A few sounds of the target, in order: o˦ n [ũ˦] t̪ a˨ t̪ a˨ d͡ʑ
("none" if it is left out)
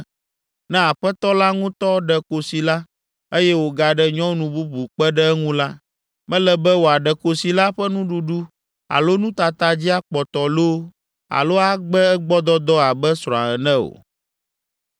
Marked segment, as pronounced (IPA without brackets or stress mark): ũ˦